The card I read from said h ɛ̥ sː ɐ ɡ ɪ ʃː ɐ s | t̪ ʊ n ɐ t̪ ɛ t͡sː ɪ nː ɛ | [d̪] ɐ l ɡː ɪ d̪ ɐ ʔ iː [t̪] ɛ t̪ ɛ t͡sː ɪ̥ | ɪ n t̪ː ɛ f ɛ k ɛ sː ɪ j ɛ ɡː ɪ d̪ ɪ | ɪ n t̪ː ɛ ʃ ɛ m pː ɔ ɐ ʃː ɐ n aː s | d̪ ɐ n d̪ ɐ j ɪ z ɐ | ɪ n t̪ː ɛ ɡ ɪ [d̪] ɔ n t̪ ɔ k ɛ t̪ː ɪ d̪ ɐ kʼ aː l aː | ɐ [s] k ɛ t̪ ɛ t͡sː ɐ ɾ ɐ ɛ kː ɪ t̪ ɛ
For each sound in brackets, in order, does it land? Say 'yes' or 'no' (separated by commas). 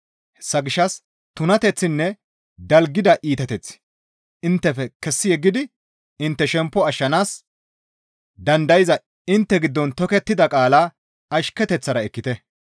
yes, yes, no, no